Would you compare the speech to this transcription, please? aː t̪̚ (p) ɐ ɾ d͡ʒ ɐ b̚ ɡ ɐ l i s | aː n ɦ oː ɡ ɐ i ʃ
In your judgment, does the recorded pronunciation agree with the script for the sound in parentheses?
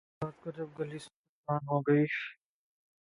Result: no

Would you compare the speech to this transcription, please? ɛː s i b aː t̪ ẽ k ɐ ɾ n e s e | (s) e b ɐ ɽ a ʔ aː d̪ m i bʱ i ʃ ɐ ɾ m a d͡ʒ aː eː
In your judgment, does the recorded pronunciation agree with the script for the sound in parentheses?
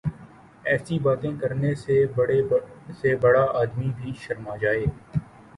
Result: yes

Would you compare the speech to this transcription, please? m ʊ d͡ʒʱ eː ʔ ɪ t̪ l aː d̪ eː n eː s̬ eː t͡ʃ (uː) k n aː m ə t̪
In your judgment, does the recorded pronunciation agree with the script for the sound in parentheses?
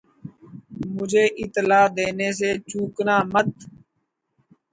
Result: yes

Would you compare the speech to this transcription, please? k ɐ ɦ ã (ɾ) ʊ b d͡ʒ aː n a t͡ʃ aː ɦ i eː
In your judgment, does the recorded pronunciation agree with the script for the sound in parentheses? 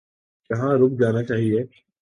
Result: yes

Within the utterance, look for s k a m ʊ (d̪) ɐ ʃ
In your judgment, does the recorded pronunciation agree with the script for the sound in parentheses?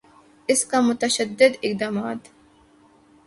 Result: no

